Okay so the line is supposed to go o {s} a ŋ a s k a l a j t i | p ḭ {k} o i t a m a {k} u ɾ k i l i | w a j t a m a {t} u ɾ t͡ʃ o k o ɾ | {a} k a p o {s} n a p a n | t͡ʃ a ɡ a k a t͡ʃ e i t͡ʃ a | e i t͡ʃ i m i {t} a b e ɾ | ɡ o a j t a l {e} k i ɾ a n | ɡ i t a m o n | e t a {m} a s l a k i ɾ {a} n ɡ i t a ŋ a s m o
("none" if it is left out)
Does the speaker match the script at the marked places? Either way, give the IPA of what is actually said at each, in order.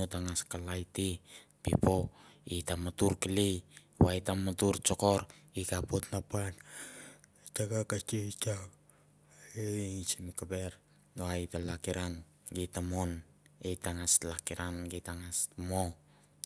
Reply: t, p, t, t, i, t, k, a, ŋ, a

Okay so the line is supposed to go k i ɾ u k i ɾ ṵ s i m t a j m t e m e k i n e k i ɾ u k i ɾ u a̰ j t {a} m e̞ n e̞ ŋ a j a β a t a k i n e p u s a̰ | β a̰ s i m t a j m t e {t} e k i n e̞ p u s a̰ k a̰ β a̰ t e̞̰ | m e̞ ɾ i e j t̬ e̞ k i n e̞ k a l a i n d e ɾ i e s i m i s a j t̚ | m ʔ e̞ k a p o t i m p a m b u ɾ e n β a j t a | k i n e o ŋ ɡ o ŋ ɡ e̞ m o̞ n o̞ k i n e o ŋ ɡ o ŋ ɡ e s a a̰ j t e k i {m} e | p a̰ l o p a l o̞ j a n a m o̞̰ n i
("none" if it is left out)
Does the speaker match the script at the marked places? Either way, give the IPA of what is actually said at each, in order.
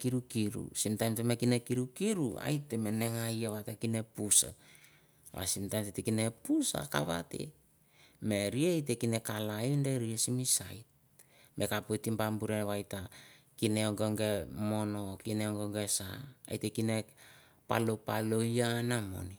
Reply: e, t, n

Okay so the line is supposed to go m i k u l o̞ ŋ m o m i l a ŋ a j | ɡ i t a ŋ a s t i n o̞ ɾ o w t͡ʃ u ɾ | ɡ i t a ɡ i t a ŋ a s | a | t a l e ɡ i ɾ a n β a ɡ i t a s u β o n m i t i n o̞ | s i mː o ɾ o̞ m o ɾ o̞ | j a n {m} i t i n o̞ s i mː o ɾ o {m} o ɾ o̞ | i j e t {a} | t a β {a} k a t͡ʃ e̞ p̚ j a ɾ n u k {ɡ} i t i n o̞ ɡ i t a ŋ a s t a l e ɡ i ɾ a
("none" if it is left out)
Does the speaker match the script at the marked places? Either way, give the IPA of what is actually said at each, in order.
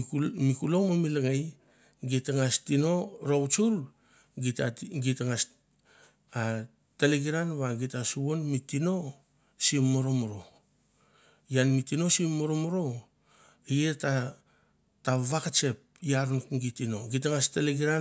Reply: m, m, a, a, ɡ

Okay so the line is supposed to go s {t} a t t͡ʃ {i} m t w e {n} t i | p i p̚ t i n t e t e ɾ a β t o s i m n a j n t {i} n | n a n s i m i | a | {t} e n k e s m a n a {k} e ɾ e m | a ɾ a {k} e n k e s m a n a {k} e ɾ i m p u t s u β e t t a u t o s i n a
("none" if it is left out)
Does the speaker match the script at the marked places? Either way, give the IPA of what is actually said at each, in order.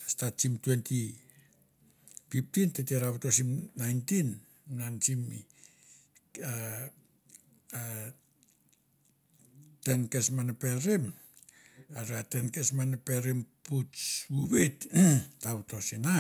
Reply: t, i, n, i, t, p, t, p

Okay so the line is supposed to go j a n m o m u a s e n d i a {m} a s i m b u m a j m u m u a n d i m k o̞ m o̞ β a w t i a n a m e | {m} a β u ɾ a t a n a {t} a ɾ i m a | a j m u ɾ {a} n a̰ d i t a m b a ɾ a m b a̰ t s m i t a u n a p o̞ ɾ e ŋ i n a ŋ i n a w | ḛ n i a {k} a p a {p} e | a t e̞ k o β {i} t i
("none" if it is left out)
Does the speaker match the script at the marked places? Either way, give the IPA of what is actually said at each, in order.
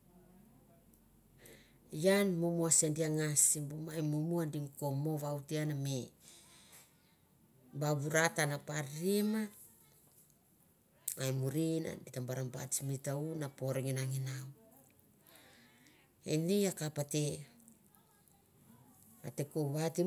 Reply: ŋ, b, p, i, k, t, a

